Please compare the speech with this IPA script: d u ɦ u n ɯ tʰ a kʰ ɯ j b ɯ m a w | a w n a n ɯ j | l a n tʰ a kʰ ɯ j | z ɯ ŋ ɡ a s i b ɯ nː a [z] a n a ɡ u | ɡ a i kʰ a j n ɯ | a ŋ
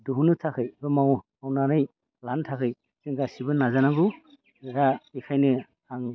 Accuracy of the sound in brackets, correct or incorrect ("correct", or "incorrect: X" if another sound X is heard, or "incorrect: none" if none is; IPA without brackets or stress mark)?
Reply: correct